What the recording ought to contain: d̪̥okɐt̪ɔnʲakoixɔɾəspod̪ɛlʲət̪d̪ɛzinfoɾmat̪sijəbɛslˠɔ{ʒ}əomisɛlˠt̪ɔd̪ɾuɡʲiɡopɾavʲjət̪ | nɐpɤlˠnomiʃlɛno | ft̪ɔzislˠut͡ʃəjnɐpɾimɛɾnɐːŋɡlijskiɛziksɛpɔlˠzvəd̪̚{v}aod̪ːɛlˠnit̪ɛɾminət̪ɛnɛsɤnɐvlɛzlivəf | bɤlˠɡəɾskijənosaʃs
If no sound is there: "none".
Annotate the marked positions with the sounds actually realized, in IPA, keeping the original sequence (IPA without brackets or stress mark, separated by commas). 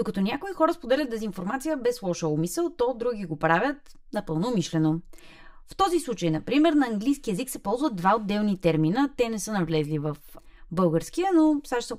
ʃ, v